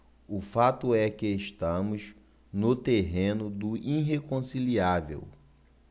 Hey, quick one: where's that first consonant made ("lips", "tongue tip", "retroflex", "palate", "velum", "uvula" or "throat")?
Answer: lips